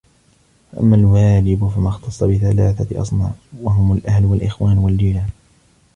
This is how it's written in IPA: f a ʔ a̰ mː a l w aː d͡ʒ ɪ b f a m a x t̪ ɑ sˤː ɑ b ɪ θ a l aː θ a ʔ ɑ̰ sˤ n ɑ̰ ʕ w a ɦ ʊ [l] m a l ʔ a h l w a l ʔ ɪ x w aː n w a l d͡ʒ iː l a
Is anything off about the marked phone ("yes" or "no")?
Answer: yes